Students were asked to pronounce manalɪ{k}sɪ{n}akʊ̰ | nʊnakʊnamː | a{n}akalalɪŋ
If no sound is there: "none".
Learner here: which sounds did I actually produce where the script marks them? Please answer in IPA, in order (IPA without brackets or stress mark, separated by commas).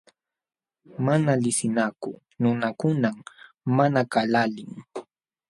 none, n, n